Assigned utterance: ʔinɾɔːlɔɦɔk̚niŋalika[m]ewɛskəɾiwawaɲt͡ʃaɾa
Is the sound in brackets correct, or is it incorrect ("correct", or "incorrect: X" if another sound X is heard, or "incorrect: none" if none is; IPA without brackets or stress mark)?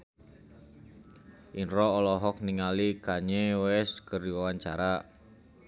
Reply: incorrect: ɲ